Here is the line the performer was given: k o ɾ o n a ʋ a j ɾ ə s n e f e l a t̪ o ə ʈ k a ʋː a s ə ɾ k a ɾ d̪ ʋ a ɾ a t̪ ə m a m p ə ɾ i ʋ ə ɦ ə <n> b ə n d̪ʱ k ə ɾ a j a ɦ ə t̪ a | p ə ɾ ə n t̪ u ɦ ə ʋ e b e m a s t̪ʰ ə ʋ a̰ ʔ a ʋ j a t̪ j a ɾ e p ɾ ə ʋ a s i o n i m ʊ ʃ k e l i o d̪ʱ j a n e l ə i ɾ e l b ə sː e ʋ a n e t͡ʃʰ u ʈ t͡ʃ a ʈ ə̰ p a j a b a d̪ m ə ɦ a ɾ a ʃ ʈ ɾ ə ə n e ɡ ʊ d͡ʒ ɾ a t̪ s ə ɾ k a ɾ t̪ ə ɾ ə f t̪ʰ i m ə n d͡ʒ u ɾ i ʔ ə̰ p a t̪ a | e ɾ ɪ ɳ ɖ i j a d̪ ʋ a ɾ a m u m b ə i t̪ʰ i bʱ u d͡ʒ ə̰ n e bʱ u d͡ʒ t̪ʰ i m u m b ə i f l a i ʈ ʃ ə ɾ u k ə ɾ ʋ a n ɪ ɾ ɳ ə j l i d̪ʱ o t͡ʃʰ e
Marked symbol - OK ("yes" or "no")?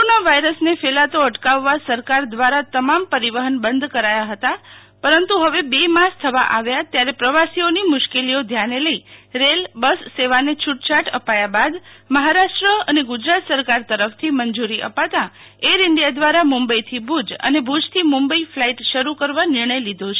yes